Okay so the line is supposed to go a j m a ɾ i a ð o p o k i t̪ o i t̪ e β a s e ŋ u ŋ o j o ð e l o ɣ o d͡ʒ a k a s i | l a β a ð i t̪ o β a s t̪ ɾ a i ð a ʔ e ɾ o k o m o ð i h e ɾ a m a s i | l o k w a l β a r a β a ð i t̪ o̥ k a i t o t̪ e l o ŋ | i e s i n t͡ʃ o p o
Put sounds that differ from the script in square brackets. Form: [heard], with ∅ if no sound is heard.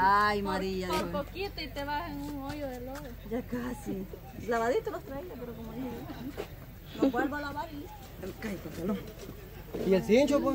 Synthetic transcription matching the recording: a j m a ɾ i a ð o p o k i t̪ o i t̪ e β a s e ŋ u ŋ o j o ð e l o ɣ o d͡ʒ a k a s i | l a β a ð i t̪ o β a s t̪ ɾ a i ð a [p] e ɾ o k o m o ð i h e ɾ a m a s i | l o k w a l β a [l] a β a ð i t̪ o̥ k a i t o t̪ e l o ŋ | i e s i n t͡ʃ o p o